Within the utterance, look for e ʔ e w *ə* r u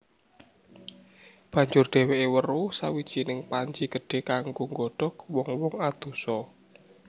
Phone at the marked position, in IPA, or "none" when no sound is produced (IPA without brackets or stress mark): ə